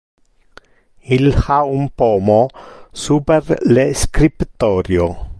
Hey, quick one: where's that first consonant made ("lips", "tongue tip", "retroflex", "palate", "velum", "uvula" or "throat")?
tongue tip